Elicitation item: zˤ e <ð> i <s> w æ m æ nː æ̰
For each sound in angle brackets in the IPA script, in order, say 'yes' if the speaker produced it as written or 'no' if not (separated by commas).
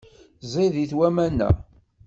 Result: yes, no